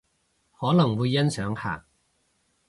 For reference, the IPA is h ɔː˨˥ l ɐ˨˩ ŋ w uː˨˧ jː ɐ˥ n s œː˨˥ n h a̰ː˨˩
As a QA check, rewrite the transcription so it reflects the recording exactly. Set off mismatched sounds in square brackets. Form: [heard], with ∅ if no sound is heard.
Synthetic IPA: h ɔː˨˥ l ɐ˨˩ ŋ w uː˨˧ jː ɐ˥ n s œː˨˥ [ŋ] h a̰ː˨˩